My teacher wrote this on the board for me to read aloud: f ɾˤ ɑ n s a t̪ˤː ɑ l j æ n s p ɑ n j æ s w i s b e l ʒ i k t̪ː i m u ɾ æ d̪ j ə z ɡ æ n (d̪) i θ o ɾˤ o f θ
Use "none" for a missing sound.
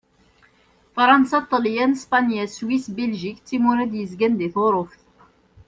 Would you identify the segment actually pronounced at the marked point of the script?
d̪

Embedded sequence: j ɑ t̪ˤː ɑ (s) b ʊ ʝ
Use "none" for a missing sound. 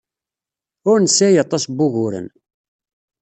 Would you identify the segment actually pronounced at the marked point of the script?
s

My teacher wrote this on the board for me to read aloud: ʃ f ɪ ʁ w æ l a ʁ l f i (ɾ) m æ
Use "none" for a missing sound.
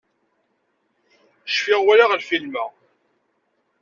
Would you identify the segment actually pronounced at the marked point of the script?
l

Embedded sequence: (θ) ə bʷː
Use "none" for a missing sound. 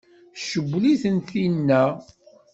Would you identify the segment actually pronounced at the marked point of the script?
ʃ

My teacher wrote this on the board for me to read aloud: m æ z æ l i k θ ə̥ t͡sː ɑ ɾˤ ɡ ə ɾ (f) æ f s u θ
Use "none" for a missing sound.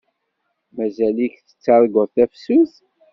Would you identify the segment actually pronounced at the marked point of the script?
θ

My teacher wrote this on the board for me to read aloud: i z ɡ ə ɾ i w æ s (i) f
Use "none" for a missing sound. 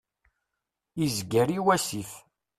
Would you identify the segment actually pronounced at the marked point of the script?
i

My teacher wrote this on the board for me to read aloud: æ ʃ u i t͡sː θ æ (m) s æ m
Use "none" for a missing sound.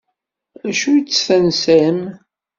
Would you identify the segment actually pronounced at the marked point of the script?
n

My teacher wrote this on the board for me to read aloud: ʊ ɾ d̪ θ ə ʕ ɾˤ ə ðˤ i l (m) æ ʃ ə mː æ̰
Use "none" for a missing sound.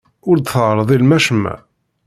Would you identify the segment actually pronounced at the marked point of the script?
m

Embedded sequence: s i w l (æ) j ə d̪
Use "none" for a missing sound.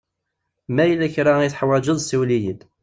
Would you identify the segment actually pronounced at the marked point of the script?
i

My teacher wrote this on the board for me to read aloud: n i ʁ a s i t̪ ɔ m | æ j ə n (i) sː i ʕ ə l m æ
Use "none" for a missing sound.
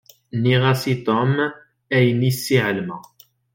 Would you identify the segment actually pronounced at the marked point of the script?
i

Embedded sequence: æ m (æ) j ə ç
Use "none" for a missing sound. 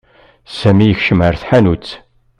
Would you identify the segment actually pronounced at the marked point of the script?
i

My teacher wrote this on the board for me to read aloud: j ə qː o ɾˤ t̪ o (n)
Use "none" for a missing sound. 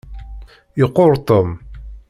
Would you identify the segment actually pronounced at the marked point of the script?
m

